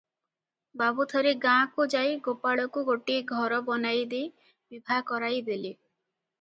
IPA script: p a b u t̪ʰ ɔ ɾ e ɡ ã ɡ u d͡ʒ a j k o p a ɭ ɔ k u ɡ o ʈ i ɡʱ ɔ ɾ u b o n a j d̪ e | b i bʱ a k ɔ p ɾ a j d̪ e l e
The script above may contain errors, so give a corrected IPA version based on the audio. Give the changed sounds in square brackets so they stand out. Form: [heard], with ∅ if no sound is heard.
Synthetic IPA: [b] a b u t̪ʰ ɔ ɾ e ɡ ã [k] u d͡ʒ a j [ɡ] o p a ɭ ɔ k u ɡ o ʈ i ɡʱ ɔ ɾ [ɔ] b [ɔ] n a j d̪ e | b i bʱ a k ɔ [∅] ɾ a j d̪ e l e